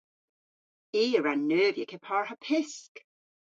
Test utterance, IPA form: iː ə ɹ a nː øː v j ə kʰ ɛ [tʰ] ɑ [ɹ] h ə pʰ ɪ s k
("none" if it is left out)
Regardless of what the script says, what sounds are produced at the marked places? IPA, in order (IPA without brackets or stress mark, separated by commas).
pʰ, ɹ